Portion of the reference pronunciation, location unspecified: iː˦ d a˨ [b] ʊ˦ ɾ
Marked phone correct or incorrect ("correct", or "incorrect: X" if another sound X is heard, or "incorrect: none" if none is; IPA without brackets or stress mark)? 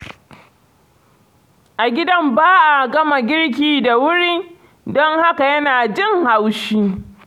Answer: incorrect: w